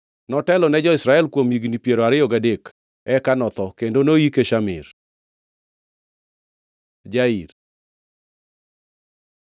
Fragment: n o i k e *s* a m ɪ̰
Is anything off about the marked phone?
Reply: yes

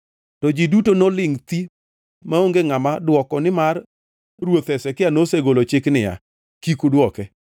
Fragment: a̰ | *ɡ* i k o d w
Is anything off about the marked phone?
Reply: yes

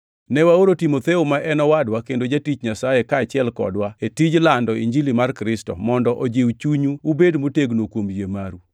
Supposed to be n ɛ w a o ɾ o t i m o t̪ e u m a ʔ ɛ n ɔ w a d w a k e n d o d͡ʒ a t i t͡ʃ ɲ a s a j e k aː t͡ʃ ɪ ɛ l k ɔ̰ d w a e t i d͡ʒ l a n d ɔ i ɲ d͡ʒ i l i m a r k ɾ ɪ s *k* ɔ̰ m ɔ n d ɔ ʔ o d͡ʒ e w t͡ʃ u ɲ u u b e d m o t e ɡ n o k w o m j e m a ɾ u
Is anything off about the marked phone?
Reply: yes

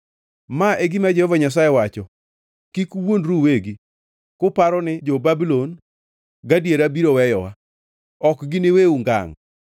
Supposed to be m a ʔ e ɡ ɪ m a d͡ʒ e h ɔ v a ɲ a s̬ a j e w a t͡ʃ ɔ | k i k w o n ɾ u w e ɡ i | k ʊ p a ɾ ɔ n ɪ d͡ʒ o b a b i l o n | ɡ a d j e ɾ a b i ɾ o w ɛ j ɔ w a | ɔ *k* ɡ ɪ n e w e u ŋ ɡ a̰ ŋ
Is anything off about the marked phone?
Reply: no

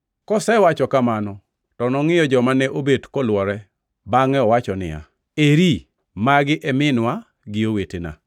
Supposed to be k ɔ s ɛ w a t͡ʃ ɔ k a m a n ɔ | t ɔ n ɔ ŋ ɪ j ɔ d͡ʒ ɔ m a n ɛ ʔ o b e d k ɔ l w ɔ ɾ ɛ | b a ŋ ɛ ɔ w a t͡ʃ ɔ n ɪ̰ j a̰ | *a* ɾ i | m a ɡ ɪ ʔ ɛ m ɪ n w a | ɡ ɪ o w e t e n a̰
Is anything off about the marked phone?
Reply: yes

